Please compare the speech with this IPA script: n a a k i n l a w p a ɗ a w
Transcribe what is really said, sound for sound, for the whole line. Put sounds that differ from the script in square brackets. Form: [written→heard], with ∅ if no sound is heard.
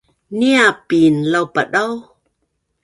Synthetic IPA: n [a→i] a [k→p] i n l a w p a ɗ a w